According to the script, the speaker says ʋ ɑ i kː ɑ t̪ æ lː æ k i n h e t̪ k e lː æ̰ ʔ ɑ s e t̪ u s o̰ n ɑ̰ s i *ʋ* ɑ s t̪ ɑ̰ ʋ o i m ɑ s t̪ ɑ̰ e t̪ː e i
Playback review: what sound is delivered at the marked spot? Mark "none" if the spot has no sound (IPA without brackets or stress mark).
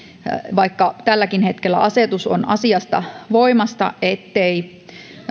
none